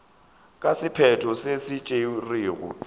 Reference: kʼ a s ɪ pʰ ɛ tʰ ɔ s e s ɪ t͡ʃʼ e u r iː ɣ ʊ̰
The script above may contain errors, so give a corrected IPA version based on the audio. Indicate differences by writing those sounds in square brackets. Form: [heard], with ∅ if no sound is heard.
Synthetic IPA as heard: kʼ a s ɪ pʰ ɛ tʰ ɔ s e s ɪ t͡ʃʼ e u r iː ɣ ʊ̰